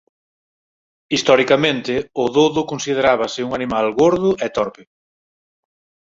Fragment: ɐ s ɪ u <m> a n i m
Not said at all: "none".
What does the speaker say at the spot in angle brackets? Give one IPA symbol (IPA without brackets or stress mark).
ŋ